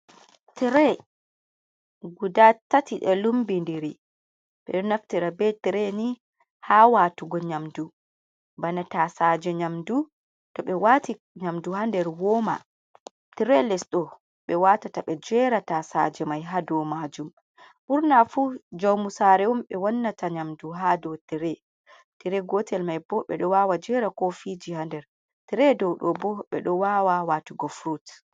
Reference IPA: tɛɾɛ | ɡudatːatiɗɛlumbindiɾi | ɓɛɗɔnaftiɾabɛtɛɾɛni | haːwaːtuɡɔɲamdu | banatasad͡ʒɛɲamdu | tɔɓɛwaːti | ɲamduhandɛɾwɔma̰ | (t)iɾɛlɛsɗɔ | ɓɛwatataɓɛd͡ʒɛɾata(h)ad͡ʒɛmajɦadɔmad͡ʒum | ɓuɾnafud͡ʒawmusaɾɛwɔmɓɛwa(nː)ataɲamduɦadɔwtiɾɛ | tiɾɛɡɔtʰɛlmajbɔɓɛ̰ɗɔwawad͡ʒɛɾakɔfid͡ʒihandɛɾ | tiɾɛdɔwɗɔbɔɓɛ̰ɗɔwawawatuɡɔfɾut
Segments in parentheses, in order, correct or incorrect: correct, incorrect: s, correct

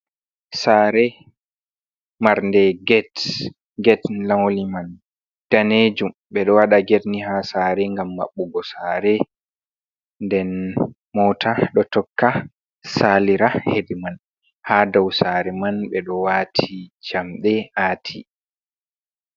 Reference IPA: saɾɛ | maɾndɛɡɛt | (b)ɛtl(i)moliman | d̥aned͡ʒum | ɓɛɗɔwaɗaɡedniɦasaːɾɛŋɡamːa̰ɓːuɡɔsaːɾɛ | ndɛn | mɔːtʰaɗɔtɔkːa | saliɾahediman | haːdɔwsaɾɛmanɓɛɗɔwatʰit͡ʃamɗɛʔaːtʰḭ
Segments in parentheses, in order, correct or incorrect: incorrect: ɡ, incorrect: a

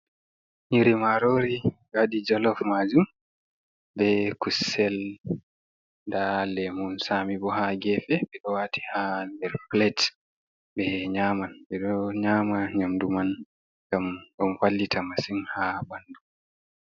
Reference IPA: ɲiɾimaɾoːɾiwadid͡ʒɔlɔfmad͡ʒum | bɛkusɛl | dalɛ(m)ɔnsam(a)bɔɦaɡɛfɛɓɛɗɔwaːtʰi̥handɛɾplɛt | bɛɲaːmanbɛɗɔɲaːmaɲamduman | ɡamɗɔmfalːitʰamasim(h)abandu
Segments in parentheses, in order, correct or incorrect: correct, incorrect: i, correct

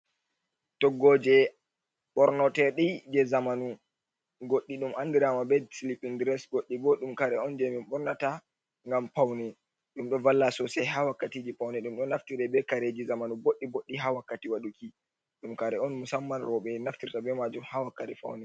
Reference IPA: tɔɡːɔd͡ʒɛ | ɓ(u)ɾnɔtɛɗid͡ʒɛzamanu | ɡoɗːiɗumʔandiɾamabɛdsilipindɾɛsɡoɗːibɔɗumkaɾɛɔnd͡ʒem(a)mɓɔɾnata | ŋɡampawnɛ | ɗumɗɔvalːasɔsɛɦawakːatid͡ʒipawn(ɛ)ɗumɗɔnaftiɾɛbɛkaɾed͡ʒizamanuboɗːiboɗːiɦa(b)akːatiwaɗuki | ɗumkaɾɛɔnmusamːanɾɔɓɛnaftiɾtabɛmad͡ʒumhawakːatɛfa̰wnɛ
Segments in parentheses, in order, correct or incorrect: incorrect: ɔ, incorrect: i, correct, incorrect: w

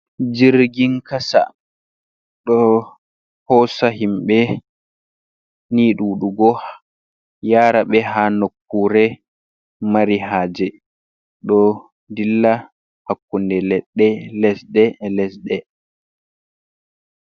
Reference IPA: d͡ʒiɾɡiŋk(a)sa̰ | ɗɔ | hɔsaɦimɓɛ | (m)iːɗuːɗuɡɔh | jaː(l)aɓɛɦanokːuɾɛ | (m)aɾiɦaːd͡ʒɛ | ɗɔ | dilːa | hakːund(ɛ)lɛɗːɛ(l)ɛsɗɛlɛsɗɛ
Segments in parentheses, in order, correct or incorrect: correct, incorrect: n, incorrect: ɾ, correct, correct, correct

